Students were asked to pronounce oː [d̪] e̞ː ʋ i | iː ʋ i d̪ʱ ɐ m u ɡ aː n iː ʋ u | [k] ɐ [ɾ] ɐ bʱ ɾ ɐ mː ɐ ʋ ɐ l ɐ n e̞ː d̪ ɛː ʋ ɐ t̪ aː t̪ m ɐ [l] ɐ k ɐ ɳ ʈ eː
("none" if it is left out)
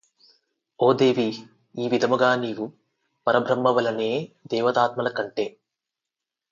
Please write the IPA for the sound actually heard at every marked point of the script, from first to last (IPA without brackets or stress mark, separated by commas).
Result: d̪, p, ɾ, l